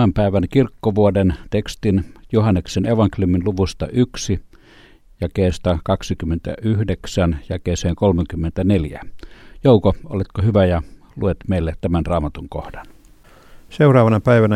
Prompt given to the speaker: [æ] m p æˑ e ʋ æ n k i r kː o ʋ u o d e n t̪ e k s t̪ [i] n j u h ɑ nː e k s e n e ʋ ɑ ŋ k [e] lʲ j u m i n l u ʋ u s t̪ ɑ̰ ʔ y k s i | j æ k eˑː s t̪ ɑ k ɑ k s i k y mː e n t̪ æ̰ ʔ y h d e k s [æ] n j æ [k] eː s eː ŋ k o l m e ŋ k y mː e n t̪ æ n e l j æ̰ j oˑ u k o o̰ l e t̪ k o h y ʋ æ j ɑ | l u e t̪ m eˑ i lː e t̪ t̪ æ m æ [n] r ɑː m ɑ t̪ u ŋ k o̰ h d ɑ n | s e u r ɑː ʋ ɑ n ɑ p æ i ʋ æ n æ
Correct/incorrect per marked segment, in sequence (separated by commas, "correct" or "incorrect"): correct, correct, correct, correct, correct, correct